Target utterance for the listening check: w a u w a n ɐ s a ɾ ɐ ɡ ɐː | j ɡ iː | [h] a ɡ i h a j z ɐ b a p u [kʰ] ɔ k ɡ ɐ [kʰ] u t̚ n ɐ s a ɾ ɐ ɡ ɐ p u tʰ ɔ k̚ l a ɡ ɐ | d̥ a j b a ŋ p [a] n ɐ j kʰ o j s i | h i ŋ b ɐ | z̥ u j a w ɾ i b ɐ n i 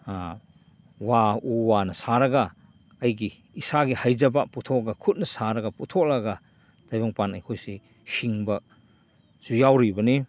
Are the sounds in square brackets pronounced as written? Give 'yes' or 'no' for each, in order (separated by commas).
no, no, yes, yes